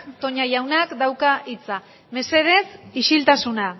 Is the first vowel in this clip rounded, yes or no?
yes